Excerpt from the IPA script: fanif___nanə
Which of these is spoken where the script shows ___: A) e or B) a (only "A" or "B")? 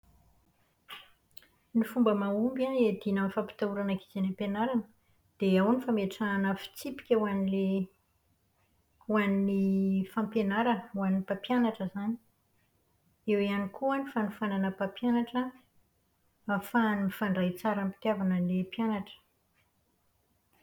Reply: B